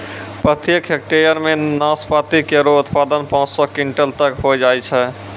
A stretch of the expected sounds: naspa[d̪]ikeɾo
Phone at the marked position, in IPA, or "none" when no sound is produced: t̪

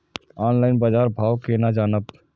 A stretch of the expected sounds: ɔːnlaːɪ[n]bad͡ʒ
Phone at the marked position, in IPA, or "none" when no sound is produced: n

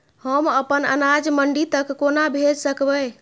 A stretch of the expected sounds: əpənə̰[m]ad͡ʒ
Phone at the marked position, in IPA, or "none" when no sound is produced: n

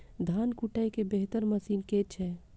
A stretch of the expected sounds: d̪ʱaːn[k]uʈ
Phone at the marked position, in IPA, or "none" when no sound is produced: k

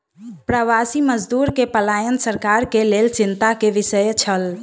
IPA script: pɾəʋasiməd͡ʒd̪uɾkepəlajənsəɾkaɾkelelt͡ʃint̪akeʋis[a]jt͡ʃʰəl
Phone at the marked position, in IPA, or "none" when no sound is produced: ə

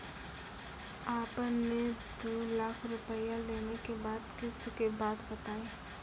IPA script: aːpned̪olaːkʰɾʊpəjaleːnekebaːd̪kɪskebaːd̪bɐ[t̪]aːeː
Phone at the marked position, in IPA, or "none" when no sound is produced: t̪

